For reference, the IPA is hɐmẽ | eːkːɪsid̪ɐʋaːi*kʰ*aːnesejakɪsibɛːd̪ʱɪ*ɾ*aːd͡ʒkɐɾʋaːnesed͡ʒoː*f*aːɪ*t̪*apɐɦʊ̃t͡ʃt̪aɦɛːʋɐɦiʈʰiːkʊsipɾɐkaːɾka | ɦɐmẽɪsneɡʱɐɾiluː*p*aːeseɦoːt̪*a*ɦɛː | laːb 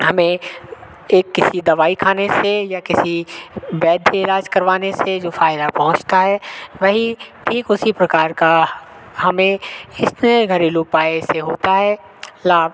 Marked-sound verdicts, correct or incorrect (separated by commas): correct, incorrect, correct, incorrect, correct, correct